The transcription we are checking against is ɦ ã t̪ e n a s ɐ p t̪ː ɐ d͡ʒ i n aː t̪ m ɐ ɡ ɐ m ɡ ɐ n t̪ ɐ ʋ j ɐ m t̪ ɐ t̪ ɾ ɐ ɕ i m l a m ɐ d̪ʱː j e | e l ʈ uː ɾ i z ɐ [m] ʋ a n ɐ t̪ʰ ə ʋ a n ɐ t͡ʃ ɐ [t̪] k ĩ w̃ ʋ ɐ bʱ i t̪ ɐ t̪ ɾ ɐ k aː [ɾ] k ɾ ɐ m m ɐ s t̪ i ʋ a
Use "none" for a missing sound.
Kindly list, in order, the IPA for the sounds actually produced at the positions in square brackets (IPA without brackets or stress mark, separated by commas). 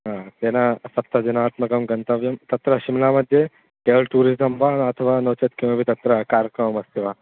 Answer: m, t̪, ɾ